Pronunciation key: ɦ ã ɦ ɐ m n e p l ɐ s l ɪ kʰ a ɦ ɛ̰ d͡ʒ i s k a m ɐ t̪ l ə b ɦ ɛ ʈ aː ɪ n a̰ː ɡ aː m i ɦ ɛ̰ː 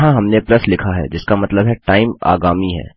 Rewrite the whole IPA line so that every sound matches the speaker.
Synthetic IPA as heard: ɦ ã ɦ ɐ m n e p l ɐ s l ɪ kʰ a ɦ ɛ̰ d͡ʒ ɪ s k a m ɐ t̪ l ə b ɦ ɛ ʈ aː ɪ m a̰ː ɡ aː m i ɦ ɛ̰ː